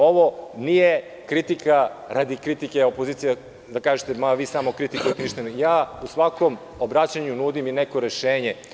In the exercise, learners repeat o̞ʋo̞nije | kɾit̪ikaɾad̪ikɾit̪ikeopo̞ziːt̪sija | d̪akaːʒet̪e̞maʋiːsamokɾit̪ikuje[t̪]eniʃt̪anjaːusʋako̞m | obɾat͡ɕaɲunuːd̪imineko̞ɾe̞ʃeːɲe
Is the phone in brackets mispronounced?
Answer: no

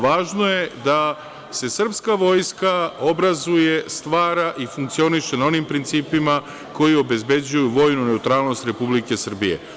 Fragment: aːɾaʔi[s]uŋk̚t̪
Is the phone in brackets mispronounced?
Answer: yes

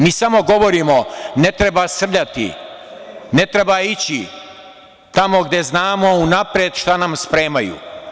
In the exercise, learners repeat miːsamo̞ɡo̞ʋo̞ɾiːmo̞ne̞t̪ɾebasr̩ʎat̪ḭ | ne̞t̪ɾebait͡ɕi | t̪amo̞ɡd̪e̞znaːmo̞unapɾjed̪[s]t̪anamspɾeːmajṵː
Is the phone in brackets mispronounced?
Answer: yes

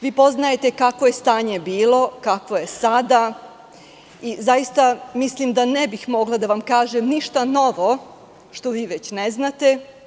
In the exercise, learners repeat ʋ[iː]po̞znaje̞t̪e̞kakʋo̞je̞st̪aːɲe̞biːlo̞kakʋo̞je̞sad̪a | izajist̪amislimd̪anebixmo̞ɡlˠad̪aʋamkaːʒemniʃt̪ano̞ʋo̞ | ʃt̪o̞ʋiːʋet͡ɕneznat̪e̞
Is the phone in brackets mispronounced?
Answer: no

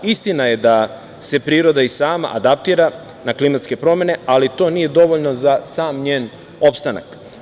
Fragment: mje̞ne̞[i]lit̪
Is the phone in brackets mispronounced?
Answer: yes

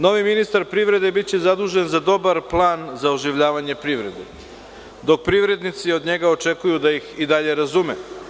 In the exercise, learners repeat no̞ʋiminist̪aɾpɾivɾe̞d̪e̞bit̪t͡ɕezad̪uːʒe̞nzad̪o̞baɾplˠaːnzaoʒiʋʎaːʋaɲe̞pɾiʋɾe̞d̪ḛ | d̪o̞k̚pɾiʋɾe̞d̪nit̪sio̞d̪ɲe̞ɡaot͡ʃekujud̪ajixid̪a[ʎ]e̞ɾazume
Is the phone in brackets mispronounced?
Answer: no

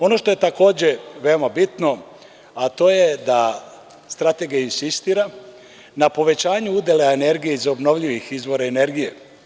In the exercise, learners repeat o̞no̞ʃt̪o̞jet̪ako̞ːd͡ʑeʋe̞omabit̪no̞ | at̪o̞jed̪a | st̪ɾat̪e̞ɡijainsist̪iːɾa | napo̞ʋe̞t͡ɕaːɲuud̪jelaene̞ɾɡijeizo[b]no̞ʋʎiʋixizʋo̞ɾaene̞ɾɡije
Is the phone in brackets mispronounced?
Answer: no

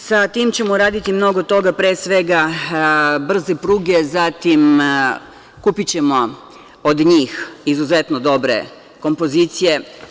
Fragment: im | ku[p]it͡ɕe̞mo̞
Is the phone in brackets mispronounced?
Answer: no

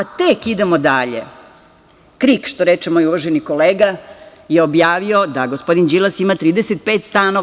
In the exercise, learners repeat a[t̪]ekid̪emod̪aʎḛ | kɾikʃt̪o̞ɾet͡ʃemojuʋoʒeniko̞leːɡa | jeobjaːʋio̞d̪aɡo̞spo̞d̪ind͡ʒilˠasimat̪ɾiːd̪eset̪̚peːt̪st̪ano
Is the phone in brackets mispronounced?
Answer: no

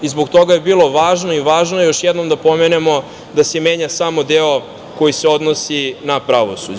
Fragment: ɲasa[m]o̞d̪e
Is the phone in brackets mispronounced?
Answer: no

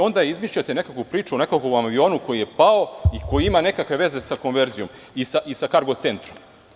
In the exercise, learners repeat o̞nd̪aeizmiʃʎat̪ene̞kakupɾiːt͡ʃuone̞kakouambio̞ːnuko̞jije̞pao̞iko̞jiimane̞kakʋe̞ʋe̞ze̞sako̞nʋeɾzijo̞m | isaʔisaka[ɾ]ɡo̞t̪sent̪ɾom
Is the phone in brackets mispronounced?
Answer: no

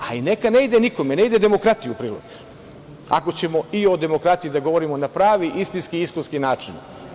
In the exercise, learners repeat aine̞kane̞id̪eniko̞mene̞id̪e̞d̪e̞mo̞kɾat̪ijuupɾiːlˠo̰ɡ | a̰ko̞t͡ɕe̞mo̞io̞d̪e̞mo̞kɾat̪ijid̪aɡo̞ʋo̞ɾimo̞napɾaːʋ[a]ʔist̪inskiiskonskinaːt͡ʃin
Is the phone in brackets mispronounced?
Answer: yes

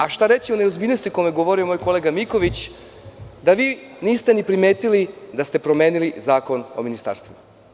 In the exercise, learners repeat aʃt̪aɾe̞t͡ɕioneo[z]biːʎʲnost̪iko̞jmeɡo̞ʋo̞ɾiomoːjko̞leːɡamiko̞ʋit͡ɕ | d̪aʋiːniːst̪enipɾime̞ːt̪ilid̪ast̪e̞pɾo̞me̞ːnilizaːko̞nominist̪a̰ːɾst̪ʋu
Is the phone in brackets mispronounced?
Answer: no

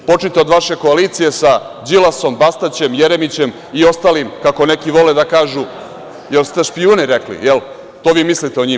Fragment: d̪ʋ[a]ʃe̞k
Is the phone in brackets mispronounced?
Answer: no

